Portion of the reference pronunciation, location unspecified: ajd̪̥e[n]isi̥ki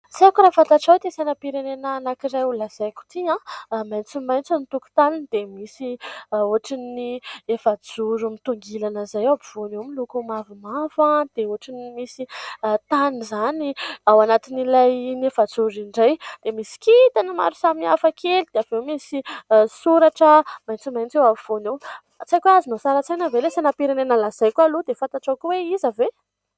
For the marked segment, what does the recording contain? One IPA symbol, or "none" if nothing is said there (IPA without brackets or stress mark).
m